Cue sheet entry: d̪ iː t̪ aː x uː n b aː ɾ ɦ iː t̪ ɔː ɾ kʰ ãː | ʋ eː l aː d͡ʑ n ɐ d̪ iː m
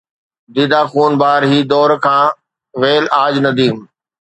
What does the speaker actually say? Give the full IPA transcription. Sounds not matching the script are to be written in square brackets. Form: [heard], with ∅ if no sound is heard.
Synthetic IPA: d̪ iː [d̪] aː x uː n b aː ɾ ɦ iː [d̪] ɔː ɾ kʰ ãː | ʋ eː l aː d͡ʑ n ɐ d̪ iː m